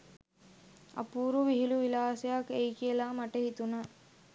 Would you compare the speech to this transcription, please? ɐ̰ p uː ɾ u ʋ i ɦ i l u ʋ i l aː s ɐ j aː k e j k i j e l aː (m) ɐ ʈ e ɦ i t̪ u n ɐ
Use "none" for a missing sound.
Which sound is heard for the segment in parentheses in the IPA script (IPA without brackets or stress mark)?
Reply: m